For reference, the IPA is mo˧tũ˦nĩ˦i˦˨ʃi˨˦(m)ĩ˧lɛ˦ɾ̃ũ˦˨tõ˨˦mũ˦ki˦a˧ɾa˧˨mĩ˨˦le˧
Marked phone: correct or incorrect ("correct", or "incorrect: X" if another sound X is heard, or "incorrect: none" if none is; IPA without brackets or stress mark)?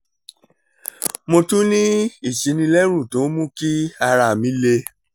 incorrect: n